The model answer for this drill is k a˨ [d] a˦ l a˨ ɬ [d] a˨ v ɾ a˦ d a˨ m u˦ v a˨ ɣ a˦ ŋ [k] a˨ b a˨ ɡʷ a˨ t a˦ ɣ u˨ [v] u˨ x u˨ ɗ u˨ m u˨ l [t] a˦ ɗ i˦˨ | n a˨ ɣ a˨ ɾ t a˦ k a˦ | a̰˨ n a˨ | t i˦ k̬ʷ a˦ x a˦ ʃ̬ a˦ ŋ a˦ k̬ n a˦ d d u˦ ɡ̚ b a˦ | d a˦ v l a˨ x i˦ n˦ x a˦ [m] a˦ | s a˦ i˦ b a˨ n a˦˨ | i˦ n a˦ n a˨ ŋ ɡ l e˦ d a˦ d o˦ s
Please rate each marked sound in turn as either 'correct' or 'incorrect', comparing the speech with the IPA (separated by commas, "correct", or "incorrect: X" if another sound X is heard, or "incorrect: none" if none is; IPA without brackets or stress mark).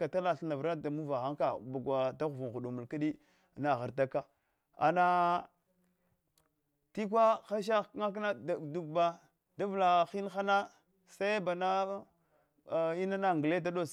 incorrect: t, incorrect: n, correct, correct, incorrect: k, incorrect: n